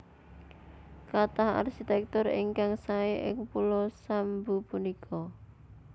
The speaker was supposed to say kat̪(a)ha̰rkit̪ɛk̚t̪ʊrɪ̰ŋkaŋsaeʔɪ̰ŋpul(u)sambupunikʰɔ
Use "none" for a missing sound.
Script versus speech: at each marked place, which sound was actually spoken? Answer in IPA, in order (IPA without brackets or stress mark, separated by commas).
a, ɔ